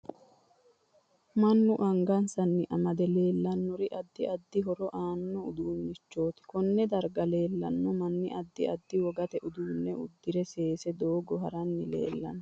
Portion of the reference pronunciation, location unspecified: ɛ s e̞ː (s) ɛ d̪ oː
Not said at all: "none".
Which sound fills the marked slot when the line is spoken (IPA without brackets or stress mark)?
s